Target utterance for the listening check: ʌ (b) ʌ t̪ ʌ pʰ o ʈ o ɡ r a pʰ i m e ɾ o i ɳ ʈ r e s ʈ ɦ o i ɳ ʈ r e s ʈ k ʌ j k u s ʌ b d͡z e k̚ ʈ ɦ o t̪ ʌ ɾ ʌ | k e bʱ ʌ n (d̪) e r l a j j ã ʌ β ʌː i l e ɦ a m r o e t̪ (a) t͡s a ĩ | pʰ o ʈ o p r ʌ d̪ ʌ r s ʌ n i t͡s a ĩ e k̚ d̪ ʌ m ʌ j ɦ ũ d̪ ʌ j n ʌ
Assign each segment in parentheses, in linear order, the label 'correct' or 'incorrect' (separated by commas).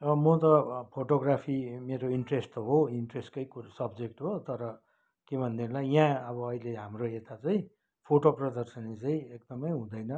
incorrect, correct, correct